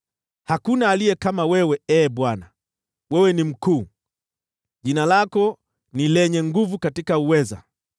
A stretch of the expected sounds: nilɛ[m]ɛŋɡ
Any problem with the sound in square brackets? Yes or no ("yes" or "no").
yes